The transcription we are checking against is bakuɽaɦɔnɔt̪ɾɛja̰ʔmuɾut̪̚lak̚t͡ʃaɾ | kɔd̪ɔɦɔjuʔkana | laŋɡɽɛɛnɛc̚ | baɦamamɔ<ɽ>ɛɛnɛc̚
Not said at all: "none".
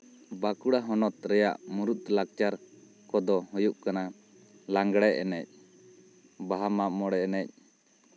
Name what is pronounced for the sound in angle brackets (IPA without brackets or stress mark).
ɽ